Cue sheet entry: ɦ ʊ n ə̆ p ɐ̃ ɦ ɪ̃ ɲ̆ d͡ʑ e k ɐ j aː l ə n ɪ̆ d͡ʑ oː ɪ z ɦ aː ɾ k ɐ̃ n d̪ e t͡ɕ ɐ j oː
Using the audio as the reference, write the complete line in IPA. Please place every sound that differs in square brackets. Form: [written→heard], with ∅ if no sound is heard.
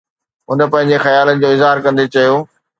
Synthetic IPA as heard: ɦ ʊ n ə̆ p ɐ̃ ɦ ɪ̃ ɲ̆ d͡ʑ e [k→x] ɐ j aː l ə n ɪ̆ d͡ʑ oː ɪ z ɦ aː ɾ k ɐ̃ n d̪ e t͡ɕ ɐ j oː